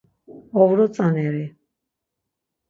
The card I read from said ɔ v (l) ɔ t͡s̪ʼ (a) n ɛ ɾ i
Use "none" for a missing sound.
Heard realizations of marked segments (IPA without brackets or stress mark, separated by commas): ɾ, a